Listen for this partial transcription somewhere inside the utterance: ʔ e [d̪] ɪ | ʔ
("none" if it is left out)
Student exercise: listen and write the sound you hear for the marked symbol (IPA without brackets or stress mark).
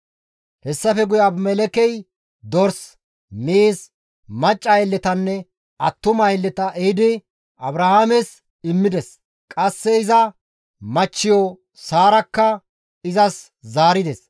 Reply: d̪